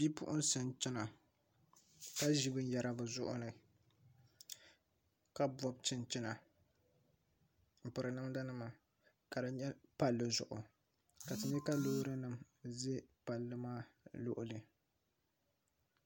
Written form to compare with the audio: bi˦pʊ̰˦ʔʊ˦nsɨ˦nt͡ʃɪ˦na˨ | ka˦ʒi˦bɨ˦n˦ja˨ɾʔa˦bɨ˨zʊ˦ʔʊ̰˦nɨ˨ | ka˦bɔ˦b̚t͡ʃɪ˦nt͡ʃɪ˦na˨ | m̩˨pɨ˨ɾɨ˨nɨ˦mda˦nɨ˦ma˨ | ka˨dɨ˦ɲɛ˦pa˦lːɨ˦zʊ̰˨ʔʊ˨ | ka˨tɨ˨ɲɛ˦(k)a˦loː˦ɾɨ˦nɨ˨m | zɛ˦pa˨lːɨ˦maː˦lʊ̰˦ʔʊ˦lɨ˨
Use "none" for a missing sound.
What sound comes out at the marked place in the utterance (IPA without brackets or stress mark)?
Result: k